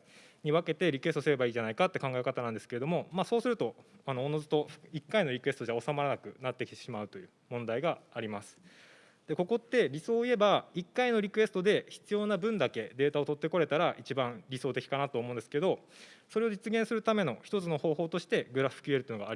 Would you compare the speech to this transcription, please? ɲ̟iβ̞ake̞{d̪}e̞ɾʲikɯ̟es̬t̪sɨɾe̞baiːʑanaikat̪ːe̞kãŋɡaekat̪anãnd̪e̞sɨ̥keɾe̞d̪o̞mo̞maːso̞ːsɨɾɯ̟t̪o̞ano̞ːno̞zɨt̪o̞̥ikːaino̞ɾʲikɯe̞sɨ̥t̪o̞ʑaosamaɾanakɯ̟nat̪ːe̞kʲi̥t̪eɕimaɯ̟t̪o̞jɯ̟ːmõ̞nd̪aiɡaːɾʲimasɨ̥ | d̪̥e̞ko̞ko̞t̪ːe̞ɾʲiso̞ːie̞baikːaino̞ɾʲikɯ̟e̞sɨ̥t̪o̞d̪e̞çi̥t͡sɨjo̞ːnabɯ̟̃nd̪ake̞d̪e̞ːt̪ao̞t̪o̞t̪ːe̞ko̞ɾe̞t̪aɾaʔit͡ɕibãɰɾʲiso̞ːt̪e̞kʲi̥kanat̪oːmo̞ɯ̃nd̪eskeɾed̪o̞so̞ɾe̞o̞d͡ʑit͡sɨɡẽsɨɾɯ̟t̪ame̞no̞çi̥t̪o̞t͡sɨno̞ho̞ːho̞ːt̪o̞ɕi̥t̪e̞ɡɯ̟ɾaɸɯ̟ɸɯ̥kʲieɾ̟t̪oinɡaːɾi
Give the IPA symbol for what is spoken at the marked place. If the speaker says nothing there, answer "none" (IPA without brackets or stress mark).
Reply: t̪